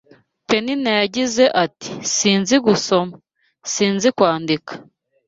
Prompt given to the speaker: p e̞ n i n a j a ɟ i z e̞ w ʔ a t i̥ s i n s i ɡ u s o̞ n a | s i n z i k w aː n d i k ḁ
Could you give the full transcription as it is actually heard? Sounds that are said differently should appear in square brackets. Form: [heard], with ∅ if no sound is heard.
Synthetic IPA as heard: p e̞ n i n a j a ɟ i z e̞ [∅] ʔ a t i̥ s [iː] n [z] i ɡ u s o̞ [m] a | s [iː] n z i k w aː n d i k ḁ